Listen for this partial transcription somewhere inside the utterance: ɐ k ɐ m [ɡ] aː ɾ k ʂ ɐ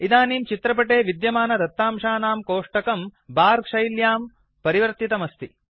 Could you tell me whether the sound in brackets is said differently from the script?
yes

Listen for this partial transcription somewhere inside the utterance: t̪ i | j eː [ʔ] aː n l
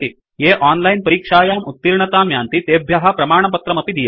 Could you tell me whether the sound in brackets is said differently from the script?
no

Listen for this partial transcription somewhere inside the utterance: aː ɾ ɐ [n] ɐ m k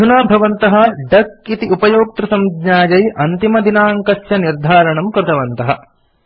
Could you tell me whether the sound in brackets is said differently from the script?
yes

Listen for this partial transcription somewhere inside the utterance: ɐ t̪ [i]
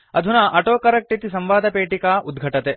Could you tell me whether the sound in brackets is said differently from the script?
yes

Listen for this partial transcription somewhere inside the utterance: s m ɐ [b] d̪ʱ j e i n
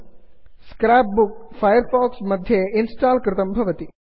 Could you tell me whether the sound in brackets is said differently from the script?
yes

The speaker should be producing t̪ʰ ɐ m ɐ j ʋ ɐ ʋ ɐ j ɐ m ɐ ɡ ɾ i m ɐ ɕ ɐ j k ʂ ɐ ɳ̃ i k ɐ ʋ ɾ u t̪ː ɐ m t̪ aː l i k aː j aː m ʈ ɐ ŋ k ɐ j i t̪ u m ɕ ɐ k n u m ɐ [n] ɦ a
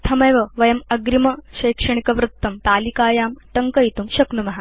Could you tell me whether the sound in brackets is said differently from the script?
yes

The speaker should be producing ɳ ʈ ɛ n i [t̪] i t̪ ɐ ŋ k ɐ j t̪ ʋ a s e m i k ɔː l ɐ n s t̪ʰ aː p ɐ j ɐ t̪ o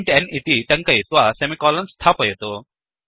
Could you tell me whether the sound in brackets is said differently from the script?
no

